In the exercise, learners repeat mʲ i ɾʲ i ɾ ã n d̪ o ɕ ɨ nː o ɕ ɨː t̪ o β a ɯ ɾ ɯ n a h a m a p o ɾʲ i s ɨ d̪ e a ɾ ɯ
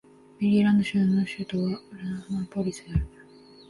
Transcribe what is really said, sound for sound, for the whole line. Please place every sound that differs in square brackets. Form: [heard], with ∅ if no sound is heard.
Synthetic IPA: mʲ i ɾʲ i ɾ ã n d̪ o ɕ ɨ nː o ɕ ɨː t̪ o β a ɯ ɾ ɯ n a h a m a p o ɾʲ i s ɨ d̪ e a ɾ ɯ